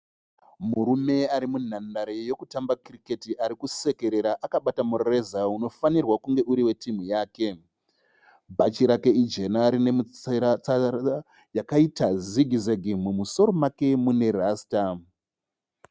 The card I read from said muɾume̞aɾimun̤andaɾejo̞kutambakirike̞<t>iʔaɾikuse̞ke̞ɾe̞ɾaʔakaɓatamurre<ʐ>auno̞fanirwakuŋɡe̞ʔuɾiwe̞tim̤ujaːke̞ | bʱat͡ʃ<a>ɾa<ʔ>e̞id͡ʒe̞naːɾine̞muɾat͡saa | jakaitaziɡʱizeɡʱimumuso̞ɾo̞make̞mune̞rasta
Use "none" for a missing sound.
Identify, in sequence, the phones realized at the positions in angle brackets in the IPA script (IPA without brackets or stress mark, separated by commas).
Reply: t, z, i, k